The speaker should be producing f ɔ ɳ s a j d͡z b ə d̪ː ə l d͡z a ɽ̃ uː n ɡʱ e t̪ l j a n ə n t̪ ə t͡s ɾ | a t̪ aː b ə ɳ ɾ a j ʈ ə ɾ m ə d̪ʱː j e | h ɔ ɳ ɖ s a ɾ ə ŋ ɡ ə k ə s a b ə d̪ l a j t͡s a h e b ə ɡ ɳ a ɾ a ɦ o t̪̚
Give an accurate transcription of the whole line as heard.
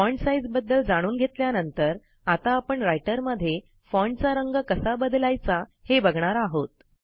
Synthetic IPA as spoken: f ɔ ɳ s a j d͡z b ə d̪ː ə l d͡z a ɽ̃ uː n ɡʱ e t̪ l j a n ə n t̪ ə ɾ | a t̪ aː p ə ɳ ɾ a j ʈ ə ɾ m ə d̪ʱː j e | f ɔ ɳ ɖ t͡s a ɾ ə ŋ ɡ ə k ə s a b ə d̪ l a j t͡s a h e b ə ɡ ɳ a ɾ a ɦ o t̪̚